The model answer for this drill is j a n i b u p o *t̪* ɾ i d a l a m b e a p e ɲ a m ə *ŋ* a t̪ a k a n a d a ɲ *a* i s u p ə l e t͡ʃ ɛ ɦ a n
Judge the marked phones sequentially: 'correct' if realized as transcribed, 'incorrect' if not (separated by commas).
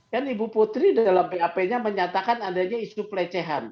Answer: correct, incorrect, correct